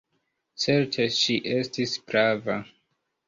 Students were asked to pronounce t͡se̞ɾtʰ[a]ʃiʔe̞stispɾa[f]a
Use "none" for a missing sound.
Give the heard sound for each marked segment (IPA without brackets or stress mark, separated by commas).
e, v